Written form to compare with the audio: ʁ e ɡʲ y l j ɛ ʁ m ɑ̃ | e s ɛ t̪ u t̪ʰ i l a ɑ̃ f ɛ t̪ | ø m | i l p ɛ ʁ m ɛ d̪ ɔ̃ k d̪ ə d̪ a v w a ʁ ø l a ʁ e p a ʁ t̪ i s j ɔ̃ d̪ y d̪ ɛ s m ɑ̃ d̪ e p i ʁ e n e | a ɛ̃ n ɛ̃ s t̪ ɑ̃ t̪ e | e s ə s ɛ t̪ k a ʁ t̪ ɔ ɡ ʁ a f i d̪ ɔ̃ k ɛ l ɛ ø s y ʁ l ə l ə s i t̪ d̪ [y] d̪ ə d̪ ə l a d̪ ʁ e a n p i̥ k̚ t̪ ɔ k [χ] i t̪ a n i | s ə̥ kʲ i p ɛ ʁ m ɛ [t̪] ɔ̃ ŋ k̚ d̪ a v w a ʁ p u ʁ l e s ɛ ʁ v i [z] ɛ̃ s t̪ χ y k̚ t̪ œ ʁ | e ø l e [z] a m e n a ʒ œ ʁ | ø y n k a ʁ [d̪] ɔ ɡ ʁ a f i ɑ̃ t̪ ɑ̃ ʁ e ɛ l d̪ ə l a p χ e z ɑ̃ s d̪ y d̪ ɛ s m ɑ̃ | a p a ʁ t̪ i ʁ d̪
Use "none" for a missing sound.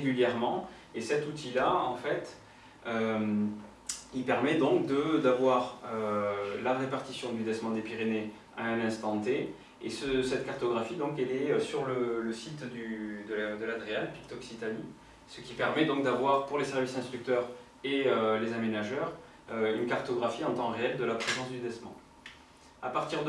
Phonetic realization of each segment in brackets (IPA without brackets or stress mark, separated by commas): y, s, d̪, s, z, t̪